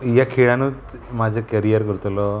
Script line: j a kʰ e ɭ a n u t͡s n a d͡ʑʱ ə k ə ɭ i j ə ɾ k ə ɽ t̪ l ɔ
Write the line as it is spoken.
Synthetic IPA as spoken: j a kʰ e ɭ a n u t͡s m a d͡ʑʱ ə k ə ɾ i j ə ɾ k ə ɾ t̪ l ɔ